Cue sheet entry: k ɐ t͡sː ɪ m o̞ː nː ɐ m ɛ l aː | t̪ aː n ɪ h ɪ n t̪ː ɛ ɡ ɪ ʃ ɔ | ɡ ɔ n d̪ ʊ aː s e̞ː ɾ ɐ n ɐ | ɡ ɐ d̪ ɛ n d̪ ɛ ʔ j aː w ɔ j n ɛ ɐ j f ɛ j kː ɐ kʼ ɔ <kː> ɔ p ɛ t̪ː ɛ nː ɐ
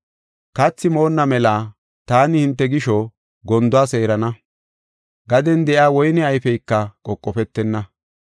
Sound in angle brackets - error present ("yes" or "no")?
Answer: yes